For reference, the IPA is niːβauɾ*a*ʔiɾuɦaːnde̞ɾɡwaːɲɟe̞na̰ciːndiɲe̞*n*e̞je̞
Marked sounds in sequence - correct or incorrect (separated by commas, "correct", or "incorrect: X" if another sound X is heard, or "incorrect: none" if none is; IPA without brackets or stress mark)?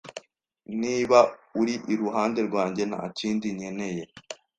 incorrect: i, correct